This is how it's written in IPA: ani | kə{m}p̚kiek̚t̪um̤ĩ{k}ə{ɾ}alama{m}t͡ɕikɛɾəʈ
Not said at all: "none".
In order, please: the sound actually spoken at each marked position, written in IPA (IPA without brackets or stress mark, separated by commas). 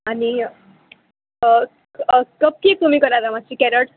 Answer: none, k, ɾ, none